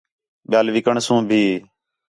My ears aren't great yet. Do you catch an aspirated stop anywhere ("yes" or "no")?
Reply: no